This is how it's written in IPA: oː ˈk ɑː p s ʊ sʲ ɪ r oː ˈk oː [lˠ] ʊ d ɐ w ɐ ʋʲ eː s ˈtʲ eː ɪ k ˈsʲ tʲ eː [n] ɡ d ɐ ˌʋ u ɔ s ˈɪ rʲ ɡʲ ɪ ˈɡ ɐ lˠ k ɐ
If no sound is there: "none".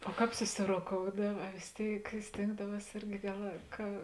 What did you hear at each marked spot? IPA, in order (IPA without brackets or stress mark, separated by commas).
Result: none, ŋ